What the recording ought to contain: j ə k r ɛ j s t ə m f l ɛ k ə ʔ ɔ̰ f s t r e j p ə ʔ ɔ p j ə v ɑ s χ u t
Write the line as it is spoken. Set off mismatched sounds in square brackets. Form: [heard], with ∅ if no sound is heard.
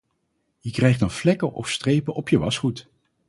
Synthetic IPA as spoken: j ə k r ɛ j [χ] t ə [n] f l ɛ k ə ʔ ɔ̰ f s t r e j p ə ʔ ɔ p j ə [ʋ] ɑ s χ u t